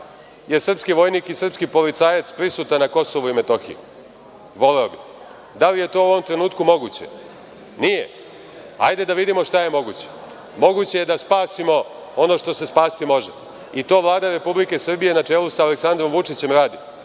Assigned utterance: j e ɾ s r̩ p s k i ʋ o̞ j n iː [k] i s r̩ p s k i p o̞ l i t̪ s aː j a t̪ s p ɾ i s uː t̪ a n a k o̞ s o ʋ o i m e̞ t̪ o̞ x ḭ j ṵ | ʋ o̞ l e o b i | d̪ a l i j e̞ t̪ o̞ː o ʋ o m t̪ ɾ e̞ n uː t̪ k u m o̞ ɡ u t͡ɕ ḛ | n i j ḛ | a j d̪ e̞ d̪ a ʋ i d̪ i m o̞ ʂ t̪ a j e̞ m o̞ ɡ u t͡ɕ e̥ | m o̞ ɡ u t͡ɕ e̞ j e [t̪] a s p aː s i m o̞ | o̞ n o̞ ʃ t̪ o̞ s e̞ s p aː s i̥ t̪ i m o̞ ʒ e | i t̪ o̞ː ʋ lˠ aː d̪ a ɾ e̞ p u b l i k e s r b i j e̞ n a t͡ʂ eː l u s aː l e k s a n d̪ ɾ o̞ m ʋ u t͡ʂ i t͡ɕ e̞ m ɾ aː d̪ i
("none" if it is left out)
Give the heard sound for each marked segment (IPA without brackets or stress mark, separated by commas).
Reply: k, d̪